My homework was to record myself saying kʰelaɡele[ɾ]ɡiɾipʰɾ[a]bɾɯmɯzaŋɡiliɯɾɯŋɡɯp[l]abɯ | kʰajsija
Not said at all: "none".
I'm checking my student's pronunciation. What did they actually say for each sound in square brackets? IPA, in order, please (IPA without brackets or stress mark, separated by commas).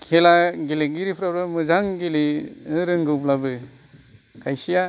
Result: none, a, l